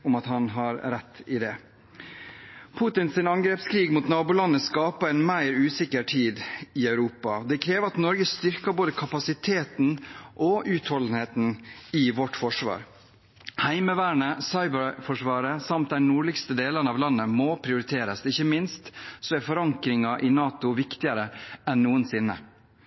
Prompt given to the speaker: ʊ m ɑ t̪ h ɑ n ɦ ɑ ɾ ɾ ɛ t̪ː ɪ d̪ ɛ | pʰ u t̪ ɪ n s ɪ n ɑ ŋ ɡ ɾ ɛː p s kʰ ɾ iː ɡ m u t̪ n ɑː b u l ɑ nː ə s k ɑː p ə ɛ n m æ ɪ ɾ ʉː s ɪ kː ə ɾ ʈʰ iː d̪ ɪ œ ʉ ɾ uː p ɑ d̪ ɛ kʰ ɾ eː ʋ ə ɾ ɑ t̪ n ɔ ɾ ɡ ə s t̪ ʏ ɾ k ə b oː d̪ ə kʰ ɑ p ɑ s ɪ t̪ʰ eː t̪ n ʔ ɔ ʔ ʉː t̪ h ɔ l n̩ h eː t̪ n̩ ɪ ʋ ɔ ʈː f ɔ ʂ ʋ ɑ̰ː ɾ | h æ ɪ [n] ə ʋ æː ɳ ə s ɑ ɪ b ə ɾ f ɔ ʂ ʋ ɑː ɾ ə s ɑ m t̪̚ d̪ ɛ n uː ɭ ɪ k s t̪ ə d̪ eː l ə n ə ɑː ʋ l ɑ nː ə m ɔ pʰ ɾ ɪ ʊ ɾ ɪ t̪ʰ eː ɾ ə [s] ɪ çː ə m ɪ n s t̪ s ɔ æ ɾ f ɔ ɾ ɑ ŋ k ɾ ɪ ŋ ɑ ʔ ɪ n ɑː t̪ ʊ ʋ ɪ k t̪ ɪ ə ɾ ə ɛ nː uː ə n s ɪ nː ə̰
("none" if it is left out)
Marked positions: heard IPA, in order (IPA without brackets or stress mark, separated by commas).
m, s